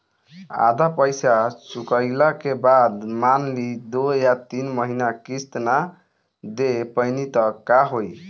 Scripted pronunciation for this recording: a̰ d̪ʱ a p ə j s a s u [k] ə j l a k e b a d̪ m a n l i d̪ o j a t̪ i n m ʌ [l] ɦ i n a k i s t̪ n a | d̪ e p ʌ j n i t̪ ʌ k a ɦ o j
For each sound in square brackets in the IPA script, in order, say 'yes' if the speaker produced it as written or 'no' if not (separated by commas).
yes, no